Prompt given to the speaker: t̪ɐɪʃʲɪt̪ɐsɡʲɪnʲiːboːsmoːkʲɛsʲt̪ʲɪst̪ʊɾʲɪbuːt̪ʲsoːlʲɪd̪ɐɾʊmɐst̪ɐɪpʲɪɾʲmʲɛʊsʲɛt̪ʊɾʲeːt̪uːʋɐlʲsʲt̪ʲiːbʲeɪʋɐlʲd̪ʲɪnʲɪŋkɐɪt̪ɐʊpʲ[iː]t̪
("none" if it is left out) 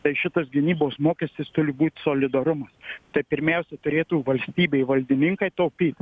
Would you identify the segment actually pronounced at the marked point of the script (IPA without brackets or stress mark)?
iː